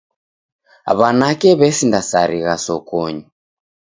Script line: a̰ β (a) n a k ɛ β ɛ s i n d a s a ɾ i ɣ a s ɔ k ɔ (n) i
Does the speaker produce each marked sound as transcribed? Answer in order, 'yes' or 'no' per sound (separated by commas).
yes, no